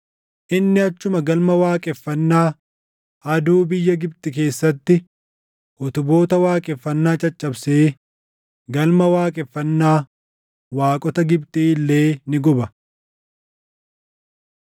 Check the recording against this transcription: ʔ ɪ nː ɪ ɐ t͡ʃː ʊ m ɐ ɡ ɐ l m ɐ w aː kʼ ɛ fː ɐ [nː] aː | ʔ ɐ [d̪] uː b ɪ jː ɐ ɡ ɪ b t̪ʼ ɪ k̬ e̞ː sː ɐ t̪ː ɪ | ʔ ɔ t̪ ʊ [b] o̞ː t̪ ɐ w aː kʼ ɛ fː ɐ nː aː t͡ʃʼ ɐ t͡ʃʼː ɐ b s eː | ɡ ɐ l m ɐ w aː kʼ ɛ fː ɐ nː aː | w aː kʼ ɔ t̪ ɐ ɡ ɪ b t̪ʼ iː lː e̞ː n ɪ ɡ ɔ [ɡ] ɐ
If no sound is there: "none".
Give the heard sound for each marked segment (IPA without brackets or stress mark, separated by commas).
nː, d̪, b, b